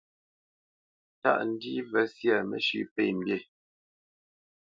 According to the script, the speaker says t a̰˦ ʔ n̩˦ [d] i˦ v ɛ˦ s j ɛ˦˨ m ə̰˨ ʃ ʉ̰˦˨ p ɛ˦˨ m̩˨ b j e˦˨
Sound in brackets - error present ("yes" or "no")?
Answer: no